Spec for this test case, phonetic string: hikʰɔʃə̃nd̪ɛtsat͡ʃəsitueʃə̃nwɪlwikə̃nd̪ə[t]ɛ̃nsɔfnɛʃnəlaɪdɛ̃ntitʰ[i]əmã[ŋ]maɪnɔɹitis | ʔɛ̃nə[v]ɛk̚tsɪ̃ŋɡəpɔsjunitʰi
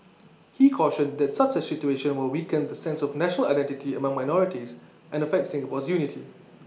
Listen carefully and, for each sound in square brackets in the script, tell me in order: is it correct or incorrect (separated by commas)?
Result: incorrect, correct, correct, incorrect